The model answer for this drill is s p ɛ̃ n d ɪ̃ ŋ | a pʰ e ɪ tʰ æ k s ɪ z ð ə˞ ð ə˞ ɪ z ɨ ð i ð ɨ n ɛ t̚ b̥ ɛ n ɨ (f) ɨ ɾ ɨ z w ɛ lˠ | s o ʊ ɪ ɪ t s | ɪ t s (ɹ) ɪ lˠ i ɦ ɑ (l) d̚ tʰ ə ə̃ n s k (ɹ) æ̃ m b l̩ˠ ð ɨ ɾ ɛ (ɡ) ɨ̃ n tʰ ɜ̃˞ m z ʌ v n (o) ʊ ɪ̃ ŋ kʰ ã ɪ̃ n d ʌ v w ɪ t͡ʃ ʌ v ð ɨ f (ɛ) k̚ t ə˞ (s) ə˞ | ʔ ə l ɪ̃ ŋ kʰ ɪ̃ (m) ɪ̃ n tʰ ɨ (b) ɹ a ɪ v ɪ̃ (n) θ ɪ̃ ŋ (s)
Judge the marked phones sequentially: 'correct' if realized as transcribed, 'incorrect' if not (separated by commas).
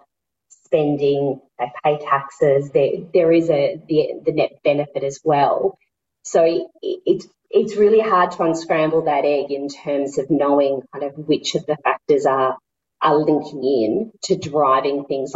correct, correct, incorrect, correct, correct, correct, incorrect, incorrect, incorrect, incorrect, incorrect, incorrect